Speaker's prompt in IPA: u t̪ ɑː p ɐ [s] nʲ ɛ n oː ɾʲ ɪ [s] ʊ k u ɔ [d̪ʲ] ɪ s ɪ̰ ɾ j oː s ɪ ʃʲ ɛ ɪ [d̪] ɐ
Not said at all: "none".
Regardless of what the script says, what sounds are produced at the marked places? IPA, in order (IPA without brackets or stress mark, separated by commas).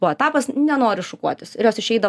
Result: s, ʃ, t̪ʲ, d̪